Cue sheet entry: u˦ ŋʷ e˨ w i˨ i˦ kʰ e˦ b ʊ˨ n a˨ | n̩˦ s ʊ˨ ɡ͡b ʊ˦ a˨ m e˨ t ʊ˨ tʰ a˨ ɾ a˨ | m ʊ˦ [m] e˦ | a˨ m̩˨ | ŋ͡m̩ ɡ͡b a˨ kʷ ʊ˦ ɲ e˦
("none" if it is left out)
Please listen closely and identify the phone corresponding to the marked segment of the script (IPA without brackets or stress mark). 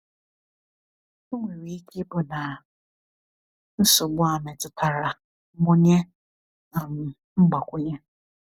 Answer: ɲ